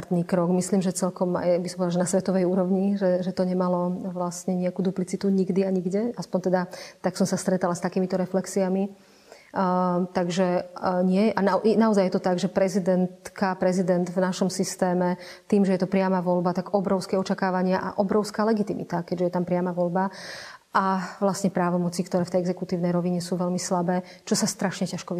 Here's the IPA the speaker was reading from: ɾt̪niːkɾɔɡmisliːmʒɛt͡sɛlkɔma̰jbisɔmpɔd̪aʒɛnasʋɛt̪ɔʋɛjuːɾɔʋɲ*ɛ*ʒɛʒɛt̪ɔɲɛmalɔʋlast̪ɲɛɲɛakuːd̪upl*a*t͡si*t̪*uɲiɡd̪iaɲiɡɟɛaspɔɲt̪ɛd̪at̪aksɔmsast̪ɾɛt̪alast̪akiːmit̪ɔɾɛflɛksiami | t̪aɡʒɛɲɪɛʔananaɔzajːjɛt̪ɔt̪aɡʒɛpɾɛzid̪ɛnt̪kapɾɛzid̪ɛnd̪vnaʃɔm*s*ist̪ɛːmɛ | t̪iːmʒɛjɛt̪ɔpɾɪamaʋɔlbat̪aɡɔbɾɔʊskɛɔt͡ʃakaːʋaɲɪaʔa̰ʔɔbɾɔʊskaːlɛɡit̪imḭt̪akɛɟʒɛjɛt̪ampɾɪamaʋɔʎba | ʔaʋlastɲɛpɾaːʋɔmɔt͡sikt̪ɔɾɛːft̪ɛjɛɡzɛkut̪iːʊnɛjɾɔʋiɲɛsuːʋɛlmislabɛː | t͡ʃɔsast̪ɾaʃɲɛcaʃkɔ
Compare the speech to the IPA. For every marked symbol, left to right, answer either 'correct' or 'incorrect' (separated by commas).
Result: incorrect, incorrect, correct, correct